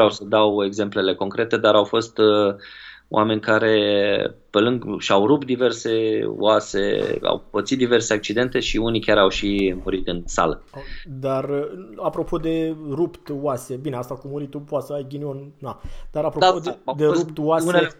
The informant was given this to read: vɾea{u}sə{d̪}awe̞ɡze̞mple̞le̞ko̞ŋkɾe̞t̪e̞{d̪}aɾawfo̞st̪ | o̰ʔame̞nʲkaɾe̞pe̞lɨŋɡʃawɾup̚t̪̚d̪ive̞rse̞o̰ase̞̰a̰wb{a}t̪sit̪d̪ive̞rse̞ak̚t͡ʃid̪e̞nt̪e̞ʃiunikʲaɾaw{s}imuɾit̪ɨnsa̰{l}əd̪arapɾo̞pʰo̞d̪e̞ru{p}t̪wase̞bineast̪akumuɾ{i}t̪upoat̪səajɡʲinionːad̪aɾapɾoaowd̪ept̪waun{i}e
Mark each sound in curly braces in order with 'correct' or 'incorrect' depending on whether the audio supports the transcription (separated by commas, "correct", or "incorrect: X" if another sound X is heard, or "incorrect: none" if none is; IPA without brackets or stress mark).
incorrect: w, correct, correct, incorrect: ə, incorrect: ʃ, correct, correct, correct, incorrect: e